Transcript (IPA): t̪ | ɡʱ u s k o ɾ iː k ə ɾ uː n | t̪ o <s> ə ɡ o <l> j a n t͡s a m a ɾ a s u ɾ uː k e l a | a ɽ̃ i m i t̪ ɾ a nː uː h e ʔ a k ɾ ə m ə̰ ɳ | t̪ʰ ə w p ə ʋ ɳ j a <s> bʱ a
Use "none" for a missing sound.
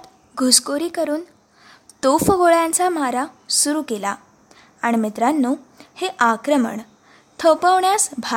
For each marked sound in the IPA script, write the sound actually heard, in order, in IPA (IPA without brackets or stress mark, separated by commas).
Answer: f, ɭ, s